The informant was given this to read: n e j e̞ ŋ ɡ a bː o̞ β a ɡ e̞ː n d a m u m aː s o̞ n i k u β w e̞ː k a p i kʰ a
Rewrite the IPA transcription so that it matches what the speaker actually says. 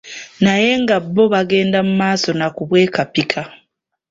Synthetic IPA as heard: n a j e̞ ŋ ɡ a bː o̞ β a ɡ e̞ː n d a m u m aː s o̞ n a k u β w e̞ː k a p i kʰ a